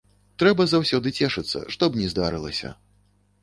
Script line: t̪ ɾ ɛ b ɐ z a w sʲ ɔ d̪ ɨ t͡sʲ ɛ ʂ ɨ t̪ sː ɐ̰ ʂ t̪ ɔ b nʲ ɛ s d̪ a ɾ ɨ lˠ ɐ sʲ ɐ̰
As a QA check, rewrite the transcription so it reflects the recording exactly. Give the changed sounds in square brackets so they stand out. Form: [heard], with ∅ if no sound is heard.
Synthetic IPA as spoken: t̪ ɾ ɛ b ɐ z a w sʲ ɔ d̪ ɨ t͡sʲ ɛ ʂ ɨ t̪ sː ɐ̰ ʂ t̪ ɔ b nʲ ɛ [z] d̪ a ɾ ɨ lˠ ɐ sʲ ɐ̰